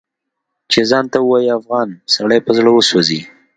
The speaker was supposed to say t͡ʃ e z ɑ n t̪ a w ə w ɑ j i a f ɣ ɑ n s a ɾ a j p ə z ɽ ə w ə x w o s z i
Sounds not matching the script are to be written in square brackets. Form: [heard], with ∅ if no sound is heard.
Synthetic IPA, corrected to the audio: t͡ʃ e z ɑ n t̪ a w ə w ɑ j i a f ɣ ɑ n s a [ɽ] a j p ə z ɽ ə w ə [s] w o [∅] z i